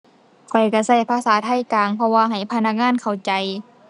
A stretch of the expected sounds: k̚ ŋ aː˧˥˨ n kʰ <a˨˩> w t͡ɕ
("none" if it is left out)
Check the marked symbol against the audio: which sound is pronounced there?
a˨˩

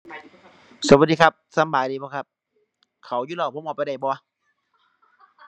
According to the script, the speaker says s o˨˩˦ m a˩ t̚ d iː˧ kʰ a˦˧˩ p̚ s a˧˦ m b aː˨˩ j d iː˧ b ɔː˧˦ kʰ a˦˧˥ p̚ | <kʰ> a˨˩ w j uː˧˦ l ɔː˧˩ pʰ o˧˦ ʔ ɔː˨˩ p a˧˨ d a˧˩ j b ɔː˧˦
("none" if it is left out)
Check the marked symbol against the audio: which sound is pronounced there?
kʰ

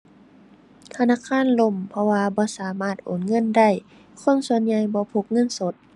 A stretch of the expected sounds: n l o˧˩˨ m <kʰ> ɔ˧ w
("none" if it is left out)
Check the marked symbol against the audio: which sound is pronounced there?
pʰ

